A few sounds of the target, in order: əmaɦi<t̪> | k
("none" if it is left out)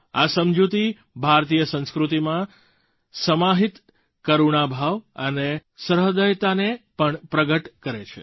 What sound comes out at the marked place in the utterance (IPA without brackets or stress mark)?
t̪